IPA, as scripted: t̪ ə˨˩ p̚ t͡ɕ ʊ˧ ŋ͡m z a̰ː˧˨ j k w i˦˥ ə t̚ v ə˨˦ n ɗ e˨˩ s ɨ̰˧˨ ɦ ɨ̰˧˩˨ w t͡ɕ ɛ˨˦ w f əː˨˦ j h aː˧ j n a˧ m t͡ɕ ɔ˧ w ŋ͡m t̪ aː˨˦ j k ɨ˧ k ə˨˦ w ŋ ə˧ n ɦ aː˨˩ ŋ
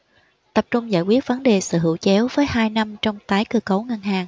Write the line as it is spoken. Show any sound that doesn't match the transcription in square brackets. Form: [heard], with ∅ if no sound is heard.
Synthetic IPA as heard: t̪ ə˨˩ p̚ t͡ɕ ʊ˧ ŋ͡m z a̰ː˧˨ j k w i˦˥ ə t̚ v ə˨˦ n ɗ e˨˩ s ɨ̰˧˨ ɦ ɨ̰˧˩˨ w t͡ɕ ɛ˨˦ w [v] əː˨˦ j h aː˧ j n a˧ m t͡ɕ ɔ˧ w ŋ͡m t̪ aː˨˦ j k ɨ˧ k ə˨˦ w ŋ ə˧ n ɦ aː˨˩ ŋ